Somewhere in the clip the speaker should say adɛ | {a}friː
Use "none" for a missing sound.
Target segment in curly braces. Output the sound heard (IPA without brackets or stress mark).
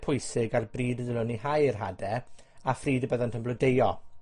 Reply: a